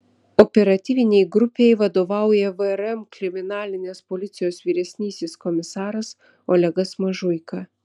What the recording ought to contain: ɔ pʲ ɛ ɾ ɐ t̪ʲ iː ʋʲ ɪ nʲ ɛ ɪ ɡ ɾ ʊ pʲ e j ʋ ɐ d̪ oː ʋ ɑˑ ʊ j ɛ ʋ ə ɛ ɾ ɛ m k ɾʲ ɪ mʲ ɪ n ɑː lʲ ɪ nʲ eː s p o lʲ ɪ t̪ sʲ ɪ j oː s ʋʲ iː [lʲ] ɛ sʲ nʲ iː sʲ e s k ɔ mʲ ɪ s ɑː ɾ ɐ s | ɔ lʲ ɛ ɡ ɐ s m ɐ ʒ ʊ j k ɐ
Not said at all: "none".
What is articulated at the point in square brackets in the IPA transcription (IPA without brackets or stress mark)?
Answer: ɾʲ